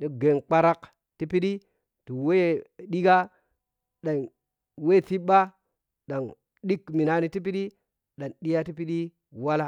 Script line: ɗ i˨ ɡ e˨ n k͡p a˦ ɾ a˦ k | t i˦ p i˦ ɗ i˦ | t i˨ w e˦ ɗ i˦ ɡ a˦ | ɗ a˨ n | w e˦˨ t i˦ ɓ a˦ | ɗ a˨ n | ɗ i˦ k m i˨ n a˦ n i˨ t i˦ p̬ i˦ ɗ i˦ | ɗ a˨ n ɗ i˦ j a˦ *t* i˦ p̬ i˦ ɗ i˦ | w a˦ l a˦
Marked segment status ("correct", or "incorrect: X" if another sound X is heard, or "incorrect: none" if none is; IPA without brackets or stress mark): correct